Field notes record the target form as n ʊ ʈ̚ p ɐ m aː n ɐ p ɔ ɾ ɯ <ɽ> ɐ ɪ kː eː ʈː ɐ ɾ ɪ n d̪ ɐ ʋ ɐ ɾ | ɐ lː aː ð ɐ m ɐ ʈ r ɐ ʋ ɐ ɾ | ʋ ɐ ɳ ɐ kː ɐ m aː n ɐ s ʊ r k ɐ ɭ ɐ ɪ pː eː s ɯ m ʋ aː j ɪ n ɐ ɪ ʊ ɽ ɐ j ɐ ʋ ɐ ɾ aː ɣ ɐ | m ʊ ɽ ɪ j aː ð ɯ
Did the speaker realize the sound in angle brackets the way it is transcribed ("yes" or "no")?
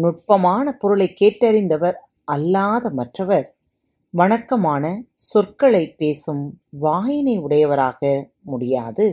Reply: no